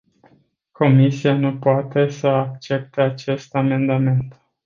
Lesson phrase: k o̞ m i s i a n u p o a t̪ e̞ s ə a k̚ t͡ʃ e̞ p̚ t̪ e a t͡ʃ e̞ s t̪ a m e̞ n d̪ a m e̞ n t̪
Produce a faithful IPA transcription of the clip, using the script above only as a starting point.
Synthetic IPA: k o̞ m i s i a n u p o a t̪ e̞ s ə a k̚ t͡ʃ e̞ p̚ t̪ e a t͡ʃ e̞ s t̪ a m e̞ n d̪ a m e̞ n t̪